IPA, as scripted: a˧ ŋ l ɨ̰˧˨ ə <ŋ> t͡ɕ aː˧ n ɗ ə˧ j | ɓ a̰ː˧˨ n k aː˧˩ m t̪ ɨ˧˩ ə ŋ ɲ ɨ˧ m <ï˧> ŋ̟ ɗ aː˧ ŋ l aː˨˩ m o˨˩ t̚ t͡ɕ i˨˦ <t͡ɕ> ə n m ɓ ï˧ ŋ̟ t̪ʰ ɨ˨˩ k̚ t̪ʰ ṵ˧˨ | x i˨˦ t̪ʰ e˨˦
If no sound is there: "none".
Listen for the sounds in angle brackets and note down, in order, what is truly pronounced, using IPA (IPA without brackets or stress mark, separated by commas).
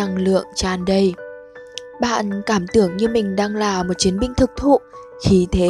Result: ŋ, ï˨˩, none